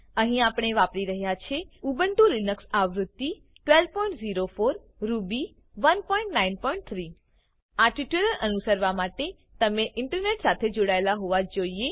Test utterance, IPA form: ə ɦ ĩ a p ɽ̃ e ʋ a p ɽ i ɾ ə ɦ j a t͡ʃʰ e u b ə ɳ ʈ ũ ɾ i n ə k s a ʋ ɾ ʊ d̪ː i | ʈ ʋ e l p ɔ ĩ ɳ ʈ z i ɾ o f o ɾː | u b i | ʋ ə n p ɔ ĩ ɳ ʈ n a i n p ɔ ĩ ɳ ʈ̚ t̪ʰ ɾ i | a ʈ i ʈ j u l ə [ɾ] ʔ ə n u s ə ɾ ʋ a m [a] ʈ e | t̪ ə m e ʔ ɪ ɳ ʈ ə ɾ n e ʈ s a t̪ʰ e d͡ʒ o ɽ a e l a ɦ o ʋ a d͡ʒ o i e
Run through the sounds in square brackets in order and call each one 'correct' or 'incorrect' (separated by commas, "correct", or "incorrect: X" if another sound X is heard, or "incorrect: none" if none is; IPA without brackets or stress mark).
correct, correct